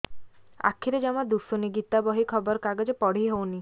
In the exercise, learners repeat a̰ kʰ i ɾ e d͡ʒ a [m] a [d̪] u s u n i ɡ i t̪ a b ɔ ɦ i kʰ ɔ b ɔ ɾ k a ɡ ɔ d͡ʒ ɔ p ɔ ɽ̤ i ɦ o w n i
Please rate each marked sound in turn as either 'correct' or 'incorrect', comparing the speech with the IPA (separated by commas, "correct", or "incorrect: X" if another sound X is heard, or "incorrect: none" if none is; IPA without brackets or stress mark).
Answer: correct, correct